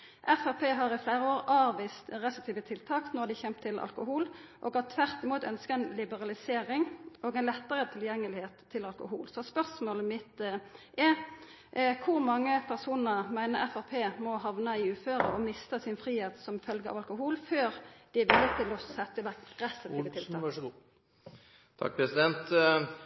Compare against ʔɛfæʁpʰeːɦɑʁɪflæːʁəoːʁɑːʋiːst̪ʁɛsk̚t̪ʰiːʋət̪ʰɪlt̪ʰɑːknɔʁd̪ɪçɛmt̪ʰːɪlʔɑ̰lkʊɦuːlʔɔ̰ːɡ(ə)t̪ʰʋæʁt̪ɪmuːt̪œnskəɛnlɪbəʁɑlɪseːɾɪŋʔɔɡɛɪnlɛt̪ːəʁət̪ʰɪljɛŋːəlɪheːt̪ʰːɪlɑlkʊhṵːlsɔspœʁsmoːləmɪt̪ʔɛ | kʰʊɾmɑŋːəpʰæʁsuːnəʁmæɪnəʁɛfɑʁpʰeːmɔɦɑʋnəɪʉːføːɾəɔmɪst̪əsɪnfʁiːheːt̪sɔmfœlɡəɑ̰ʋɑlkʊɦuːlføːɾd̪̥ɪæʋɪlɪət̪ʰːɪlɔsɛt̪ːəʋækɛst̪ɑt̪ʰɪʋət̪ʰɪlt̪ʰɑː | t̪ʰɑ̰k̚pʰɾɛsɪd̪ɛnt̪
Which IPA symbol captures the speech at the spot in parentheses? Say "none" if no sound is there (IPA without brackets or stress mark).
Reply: ɑ